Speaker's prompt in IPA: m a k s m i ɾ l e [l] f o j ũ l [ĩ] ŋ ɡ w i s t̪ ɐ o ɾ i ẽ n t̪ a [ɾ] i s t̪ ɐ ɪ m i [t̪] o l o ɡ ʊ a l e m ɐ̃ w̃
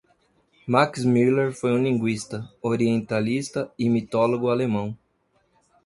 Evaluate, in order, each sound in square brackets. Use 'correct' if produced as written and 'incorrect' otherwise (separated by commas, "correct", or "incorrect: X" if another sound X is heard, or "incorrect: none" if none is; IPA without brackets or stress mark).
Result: incorrect: ɾ, correct, incorrect: l, correct